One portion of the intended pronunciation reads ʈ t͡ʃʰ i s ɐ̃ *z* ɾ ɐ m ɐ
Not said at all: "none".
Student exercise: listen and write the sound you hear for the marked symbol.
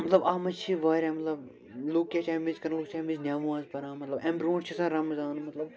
none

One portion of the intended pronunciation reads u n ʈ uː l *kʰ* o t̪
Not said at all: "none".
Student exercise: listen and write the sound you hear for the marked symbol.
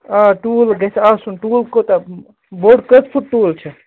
k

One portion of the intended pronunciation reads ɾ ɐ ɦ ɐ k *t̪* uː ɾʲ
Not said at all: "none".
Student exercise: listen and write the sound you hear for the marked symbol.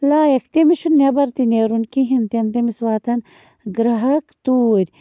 t̪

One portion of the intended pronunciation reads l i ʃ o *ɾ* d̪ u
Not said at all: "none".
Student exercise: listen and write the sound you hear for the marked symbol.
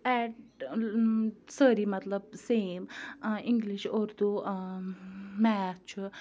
ɾ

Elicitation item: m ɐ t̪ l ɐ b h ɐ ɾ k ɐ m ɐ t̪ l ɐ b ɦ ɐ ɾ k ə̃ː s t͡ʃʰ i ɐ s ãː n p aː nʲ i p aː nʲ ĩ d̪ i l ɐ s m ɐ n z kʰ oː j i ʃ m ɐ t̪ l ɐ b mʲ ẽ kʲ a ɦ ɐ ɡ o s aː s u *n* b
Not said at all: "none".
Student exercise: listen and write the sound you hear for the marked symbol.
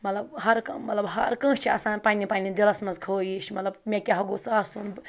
n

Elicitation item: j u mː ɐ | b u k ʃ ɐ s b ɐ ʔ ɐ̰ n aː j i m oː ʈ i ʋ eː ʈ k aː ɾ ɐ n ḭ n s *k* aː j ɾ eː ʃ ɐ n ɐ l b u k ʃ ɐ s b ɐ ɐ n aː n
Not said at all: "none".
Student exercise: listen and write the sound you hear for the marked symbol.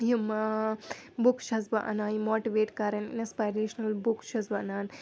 p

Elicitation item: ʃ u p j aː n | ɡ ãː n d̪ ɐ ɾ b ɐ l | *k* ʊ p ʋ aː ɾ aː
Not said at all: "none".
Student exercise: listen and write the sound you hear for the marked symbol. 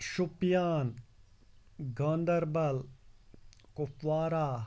k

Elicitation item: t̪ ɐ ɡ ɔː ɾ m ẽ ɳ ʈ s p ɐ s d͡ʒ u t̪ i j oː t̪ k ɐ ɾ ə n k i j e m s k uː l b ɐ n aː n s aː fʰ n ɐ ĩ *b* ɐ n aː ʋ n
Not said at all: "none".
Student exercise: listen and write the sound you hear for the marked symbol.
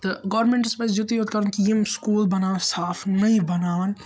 b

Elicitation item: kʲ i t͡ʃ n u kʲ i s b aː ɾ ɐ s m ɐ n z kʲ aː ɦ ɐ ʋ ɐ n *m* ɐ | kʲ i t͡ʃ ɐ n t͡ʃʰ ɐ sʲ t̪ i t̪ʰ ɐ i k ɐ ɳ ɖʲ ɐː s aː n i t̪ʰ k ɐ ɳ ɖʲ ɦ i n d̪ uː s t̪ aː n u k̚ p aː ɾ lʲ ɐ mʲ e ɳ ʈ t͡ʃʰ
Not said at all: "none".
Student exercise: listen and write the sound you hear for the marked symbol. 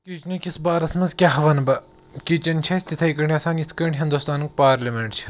b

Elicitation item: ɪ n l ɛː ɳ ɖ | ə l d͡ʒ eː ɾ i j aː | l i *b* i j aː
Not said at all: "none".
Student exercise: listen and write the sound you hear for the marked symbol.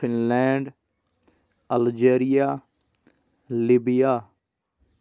b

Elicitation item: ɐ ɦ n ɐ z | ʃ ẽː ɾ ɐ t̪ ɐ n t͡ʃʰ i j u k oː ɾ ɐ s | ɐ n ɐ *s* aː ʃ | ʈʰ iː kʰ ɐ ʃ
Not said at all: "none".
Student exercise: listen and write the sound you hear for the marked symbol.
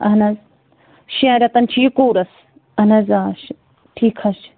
z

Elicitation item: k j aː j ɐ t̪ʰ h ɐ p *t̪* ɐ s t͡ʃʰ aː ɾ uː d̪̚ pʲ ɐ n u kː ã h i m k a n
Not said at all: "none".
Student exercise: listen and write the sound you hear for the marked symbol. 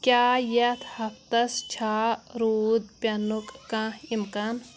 t̪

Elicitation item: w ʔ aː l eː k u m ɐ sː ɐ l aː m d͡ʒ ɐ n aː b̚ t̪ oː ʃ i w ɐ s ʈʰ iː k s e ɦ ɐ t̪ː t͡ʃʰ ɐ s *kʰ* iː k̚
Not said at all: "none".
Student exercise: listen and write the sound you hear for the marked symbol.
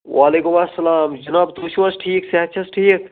ʈʰ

